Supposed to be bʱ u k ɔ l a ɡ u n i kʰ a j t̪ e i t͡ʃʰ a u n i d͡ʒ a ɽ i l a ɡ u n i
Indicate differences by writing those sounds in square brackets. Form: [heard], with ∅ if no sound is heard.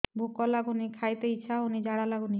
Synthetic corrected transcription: bʱ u k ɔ l a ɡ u n i kʰ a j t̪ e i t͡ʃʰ a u n i d͡ʒ a ɽ [a] l a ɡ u n i